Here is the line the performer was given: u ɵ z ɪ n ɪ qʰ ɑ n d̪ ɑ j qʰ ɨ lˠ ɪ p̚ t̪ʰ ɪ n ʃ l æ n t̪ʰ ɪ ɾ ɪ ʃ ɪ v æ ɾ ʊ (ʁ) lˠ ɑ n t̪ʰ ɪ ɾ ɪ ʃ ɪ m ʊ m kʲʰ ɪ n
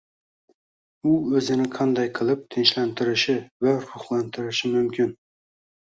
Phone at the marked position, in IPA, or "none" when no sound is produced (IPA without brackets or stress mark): χ